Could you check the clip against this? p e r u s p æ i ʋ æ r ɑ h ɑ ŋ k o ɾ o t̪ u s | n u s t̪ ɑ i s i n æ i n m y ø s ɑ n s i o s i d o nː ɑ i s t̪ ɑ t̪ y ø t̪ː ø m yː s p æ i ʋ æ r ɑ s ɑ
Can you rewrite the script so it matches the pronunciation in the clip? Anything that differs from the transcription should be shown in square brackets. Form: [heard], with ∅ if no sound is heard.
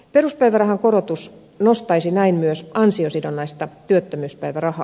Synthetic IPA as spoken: p e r u s p æ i ʋ æ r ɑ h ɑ ŋ k o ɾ o t̪ u s | n [o] s t̪ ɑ i s i n æ i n m y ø s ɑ n s i o s i d o nː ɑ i s t̪ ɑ t̪ y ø t̪ː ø m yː s p æ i ʋ æ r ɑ [h] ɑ